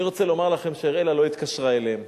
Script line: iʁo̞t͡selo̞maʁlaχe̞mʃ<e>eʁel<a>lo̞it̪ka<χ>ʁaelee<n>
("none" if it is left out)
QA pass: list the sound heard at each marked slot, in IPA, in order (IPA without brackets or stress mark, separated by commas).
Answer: e, a, ʃ, m